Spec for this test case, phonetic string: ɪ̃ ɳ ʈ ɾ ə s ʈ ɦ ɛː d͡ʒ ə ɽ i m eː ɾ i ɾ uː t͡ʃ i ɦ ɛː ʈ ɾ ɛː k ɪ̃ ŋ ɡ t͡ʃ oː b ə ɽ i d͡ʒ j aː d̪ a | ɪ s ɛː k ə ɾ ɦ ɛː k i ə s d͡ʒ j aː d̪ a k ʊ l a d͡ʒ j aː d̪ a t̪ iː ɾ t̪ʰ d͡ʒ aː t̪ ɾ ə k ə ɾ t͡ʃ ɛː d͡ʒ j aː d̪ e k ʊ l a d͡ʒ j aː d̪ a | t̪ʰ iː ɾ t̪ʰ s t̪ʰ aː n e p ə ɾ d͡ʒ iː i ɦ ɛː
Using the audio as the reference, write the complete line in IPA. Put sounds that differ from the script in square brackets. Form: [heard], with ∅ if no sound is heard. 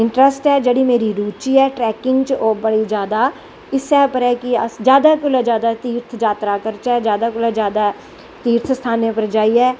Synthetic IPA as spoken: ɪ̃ ɳ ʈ ɾ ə s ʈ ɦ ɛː d͡ʒ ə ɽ i m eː ɾ i ɾ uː t͡ʃ i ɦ ɛː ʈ ɾ ɛː k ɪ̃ ŋ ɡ t͡ʃ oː b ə ɽ i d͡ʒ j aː d̪ a | ɪ s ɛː [p] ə ɾ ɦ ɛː k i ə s d͡ʒ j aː d̪ a k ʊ l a d͡ʒ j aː d̪ a t̪ iː ɾ t̪ʰ d͡ʒ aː t̪ ɾ [a] k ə ɾ t͡ʃ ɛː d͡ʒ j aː d̪ [a] k ʊ l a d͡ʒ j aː d̪ a | [t̪] iː ɾ t̪ʰ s t̪ʰ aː n e p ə ɾ d͡ʒ [aː] i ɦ ɛː